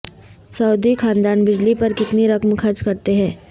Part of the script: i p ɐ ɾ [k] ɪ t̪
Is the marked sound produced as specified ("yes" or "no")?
yes